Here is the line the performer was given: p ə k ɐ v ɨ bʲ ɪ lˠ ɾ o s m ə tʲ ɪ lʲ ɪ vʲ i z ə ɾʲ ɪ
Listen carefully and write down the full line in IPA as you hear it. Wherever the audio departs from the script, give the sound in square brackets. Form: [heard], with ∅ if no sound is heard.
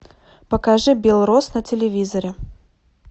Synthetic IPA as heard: p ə k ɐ [ʐ] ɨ bʲ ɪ lˠ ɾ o s [n] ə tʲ ɪ lʲ ɪ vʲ i z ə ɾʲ ɪ